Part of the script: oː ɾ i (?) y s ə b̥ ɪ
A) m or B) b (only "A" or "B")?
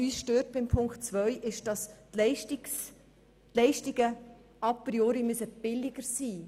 A